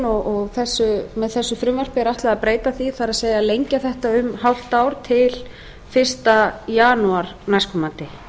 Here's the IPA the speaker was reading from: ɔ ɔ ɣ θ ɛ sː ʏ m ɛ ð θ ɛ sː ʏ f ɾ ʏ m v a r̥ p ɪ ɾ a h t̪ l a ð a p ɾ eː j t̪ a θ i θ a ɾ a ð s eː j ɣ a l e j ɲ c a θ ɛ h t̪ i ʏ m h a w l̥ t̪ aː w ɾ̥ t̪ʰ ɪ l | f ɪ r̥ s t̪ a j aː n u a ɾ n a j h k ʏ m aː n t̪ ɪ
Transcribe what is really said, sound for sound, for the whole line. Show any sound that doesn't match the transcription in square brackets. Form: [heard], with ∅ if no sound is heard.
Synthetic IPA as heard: ɔ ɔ ɣ θ ɛ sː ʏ m ɛ ð θ ɛ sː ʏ f ɾ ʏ m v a r̥ p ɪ ɾ a h t̪ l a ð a p ɾ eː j t̪ a θ i θ a ɾ a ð s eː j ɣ a l e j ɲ c a θ ɛ h t̪ [a] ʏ m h a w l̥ t̪ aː w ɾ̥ t̪ʰ ɪ l | f ɪ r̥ s t̪ a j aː n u a ɾ n a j [s] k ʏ m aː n t̪ ɪ